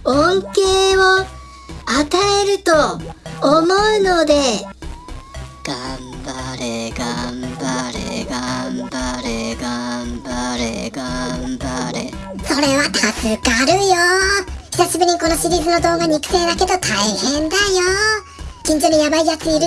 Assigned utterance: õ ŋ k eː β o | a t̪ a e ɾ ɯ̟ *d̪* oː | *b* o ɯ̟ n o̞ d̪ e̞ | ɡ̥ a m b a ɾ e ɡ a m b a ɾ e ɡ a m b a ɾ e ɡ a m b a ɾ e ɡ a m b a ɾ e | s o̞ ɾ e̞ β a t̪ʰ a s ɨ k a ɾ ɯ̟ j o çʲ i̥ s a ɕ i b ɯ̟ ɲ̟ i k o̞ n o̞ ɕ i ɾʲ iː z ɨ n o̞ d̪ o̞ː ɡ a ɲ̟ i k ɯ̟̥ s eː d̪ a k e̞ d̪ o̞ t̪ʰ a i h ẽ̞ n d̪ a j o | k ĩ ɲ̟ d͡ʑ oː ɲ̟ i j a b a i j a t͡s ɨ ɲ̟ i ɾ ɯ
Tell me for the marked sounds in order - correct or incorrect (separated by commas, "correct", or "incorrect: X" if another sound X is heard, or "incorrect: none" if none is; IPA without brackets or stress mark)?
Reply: incorrect: t̪, incorrect: m